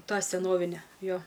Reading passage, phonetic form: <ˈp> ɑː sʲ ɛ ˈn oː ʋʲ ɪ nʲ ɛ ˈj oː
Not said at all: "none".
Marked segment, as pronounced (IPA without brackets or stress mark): t